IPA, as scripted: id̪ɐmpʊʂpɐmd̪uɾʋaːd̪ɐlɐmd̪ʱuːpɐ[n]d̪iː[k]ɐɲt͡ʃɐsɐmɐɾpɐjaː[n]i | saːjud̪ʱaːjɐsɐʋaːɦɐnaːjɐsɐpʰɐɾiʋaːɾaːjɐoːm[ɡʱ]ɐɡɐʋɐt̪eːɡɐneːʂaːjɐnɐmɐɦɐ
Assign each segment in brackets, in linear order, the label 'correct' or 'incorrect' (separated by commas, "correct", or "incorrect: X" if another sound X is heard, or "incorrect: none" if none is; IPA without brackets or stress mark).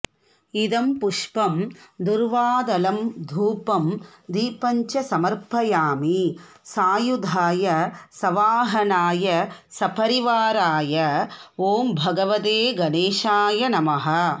incorrect: m, incorrect: p, incorrect: m, incorrect: bʱ